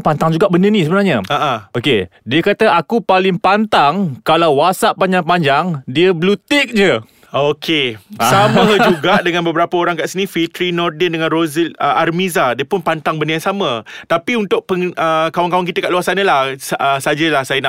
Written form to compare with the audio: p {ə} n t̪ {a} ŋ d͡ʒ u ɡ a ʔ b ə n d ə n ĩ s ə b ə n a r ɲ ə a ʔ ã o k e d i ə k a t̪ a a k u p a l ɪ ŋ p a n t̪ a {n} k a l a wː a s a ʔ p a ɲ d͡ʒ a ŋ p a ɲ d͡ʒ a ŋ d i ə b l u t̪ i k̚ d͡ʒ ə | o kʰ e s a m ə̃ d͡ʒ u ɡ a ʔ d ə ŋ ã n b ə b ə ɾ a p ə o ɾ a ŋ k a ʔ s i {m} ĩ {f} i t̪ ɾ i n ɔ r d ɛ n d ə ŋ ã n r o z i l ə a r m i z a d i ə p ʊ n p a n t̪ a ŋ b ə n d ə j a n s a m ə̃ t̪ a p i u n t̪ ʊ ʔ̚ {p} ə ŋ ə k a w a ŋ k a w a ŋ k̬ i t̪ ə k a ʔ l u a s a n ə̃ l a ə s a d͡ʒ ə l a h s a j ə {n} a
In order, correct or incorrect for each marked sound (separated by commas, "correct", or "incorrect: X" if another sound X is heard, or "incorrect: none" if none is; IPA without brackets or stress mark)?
incorrect: a, correct, incorrect: ŋ, incorrect: n, correct, correct, correct